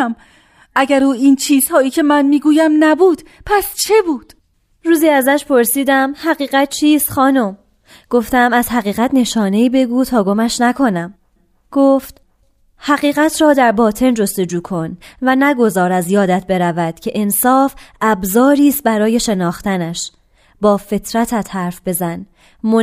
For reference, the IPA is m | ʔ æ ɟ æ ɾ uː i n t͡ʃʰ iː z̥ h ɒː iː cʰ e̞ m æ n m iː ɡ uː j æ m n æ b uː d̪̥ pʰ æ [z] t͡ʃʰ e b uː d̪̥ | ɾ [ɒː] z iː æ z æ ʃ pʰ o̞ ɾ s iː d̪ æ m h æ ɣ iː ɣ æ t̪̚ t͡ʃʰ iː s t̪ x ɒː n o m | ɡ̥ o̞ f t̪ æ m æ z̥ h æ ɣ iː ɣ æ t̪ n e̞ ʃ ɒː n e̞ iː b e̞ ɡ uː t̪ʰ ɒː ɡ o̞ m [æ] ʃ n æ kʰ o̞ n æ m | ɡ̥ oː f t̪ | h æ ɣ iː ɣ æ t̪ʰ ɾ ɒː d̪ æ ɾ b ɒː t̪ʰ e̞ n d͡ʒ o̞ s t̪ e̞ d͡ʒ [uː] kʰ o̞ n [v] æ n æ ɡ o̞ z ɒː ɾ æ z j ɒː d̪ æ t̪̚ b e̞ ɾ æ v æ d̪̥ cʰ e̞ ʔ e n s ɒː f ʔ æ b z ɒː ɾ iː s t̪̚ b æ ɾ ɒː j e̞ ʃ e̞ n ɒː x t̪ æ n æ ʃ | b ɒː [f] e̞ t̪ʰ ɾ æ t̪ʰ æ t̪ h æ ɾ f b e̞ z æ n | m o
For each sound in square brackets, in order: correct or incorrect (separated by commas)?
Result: incorrect, incorrect, correct, correct, correct, correct